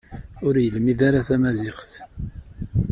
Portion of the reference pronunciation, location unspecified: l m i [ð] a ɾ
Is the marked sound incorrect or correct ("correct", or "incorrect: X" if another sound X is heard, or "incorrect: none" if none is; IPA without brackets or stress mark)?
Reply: correct